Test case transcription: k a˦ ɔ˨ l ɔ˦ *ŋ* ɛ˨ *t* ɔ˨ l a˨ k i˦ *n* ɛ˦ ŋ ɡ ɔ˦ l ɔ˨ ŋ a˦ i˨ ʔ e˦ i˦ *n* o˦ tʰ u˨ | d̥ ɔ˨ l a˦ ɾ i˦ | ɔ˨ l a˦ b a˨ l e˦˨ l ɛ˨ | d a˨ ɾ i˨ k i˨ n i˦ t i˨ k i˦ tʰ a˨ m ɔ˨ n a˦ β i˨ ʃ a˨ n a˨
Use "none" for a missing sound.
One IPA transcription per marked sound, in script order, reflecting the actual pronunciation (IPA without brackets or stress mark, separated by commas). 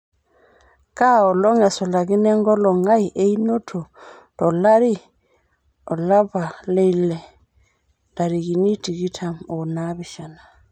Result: ŋ, s, n, n